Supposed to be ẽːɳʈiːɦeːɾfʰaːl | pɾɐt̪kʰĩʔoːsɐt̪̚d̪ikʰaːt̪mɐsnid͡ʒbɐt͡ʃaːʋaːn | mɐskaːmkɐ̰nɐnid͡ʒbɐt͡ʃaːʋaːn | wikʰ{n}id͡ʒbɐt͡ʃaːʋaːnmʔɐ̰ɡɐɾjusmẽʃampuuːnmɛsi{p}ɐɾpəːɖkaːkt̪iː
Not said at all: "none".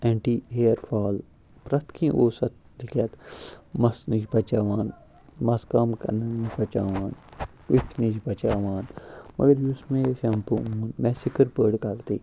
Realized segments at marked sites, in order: n, k

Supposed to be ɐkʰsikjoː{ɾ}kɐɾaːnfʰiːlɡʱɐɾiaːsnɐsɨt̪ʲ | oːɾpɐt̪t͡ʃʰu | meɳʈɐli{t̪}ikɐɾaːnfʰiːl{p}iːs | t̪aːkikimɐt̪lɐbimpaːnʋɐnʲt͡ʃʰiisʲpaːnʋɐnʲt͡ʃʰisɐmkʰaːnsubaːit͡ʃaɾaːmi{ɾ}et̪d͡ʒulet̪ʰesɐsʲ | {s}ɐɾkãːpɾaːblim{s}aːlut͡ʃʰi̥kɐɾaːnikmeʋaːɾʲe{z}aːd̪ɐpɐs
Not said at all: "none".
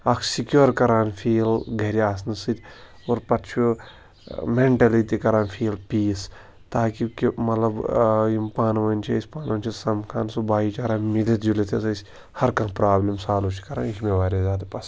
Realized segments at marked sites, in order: ɾ, t̪, p, l, h, s, z

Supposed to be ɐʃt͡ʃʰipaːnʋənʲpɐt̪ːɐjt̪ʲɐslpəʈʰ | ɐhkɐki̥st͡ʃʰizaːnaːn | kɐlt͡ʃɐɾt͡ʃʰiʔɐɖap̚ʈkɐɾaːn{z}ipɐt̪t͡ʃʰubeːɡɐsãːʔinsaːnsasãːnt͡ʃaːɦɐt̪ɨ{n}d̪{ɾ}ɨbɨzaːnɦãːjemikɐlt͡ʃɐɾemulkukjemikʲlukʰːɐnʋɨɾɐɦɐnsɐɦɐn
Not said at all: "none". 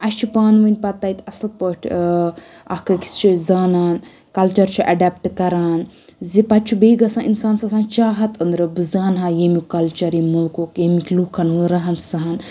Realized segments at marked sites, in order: z, n, ɾ

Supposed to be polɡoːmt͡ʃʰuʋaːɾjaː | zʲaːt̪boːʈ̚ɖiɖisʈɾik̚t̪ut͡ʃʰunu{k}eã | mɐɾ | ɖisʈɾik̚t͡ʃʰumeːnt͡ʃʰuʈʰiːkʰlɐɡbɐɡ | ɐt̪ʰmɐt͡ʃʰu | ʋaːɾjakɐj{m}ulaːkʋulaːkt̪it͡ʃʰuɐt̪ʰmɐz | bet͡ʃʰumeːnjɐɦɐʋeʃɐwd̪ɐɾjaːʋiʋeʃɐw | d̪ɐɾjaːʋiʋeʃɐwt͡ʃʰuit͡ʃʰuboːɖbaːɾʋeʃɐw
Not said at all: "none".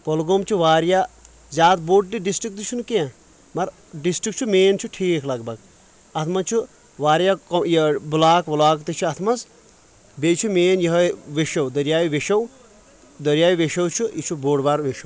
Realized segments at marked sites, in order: k, b

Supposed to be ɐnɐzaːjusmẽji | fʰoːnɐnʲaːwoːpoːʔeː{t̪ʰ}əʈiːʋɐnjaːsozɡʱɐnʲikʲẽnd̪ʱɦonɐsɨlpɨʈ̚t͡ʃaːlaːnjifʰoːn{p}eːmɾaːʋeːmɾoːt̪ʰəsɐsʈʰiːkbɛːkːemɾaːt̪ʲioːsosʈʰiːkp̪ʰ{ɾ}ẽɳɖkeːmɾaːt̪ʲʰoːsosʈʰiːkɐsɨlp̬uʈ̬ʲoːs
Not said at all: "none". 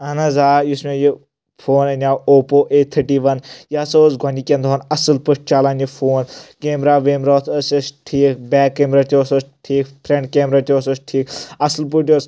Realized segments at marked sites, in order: t̪ʰ, k, ɾ

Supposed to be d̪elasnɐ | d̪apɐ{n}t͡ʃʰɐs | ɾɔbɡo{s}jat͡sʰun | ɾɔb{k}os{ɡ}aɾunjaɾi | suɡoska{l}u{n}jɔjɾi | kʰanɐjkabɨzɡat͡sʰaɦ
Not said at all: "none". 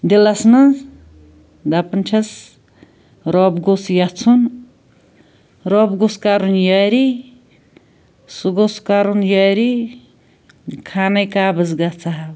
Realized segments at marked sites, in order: n, s, ɡ, k, ɾ, n

